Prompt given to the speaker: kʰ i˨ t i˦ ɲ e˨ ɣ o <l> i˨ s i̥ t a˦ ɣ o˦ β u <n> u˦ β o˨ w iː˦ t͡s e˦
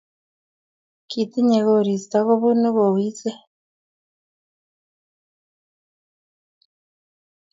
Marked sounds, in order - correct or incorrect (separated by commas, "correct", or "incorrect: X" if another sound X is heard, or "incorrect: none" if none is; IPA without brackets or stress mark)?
incorrect: ɾ, correct